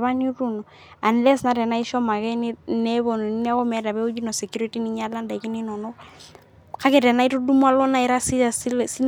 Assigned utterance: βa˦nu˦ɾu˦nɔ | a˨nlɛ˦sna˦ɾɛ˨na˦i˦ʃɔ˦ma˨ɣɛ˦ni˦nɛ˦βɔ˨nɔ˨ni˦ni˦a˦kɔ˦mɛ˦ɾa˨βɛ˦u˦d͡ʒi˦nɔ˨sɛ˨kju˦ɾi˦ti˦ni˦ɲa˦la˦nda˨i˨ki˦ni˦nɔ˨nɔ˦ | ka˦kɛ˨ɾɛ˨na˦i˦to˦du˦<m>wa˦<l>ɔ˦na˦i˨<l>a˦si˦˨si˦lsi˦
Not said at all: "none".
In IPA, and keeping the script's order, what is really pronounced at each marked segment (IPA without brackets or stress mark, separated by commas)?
m, l, ɾ